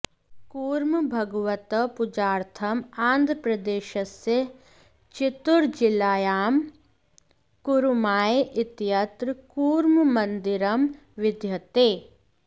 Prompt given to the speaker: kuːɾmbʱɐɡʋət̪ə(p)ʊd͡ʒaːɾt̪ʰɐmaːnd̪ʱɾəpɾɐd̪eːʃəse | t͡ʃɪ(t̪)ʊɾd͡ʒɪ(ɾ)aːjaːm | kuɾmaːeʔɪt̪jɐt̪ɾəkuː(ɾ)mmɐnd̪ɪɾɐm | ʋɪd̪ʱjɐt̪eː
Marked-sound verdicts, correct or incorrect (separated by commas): correct, correct, incorrect, correct